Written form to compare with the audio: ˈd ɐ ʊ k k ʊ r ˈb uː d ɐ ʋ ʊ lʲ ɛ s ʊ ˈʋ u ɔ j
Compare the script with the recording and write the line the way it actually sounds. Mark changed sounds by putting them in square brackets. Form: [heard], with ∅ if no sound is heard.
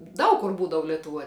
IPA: ˈd ɐ ʊ k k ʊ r ˈb uː d ɐ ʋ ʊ lʲ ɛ [t] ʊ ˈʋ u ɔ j